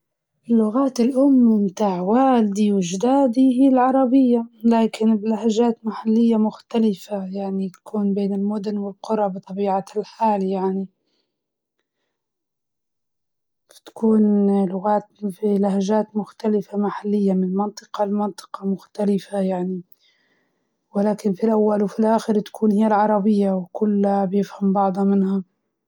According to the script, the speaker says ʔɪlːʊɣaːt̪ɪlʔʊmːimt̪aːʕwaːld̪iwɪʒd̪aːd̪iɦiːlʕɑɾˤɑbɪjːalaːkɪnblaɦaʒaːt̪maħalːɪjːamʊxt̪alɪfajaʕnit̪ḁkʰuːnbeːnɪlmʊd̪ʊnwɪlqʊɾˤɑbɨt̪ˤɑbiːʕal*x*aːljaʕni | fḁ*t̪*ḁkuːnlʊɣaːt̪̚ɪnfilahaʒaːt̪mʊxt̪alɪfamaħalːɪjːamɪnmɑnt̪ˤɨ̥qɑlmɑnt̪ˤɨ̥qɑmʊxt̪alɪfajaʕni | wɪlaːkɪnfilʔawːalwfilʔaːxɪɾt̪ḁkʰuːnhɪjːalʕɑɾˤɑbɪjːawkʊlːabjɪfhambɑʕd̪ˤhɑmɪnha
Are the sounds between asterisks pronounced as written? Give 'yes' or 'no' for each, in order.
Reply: no, yes

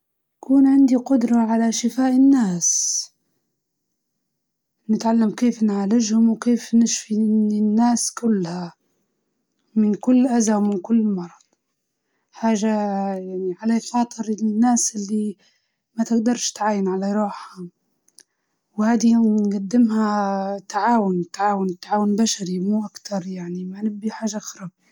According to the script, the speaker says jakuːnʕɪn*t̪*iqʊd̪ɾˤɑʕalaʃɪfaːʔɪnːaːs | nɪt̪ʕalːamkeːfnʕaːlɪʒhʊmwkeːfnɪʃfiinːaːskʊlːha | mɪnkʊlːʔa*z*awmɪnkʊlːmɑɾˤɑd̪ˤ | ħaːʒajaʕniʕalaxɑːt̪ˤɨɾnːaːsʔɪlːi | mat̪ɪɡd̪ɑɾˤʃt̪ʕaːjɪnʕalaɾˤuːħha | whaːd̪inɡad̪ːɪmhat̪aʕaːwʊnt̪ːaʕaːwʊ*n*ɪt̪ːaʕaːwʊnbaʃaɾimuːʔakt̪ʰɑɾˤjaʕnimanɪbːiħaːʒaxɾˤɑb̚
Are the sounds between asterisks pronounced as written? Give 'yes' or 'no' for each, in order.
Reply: no, yes, yes

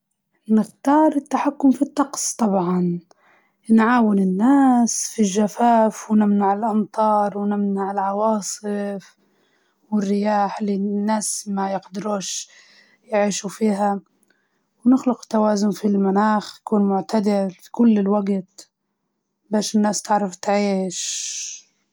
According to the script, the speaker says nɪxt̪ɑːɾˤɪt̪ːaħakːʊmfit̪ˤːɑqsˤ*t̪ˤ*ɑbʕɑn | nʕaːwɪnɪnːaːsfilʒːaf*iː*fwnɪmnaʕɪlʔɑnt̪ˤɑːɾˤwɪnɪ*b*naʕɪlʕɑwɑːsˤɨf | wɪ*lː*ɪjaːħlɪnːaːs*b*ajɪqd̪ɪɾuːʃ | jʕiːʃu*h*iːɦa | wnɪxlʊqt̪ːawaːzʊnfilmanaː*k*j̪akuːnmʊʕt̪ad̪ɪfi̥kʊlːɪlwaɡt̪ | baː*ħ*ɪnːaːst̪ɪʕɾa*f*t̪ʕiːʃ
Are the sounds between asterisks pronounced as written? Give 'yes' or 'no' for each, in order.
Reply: yes, no, no, no, no, no, no, no, yes

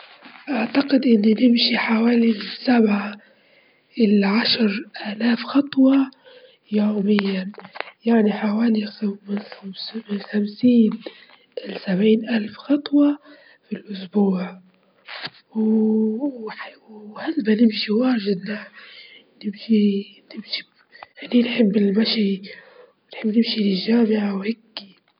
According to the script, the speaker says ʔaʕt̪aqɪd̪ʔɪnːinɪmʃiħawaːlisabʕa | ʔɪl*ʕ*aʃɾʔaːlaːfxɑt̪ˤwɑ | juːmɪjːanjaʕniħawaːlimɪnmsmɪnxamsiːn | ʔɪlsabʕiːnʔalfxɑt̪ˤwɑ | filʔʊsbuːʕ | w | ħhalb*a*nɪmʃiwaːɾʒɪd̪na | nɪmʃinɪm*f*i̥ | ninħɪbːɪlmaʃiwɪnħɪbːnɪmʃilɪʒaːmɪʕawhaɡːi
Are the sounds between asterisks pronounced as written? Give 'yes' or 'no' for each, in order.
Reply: yes, yes, no

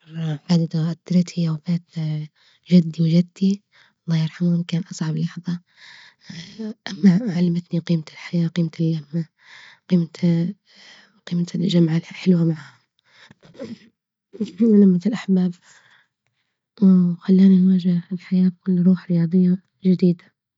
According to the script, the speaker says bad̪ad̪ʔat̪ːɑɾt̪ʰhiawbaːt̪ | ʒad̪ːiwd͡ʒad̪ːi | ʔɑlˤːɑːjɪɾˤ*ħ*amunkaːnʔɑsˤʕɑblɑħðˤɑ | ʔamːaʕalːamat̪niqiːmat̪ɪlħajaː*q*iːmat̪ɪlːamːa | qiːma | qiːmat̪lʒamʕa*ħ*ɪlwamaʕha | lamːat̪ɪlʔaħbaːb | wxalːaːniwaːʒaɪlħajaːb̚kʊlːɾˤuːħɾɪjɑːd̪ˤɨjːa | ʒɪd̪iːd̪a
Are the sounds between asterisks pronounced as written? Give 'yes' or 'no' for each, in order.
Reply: yes, yes, yes

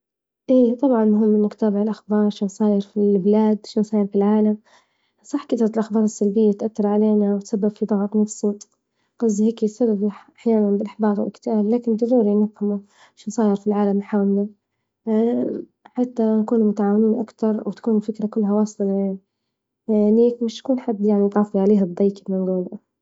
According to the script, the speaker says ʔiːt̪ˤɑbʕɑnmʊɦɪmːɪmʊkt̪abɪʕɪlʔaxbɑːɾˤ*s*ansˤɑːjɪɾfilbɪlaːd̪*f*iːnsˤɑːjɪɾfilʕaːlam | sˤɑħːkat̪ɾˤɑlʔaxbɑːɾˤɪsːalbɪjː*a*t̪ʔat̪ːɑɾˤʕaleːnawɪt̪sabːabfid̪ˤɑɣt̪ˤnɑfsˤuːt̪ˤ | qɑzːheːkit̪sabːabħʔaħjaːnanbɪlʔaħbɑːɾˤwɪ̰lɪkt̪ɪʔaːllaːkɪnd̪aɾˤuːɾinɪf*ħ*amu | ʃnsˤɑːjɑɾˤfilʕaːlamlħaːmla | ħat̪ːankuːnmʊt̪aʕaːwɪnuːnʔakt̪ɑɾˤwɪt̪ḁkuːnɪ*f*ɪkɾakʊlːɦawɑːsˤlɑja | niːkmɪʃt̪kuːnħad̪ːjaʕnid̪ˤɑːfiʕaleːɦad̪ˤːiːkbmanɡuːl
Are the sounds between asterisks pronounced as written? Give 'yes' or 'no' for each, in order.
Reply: no, no, yes, no, yes

